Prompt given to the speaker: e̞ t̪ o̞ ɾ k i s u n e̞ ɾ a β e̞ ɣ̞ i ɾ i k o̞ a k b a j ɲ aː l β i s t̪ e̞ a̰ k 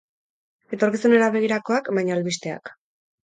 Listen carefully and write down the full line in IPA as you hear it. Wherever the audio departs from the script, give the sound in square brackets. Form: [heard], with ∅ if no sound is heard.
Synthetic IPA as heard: e̞ t̪ o̞ ɾ k i s u n e̞ ɾ a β e̞ ɣ̞ i ɾ [a] k o̞ a k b a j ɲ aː l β i s t̪ e̞ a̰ k